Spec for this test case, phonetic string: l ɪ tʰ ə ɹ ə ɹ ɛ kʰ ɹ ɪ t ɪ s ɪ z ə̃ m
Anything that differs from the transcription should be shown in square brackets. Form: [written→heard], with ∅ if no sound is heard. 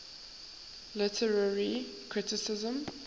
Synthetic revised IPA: l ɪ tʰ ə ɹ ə ɹ [ɛ→i] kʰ ɹ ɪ t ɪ s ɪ z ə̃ m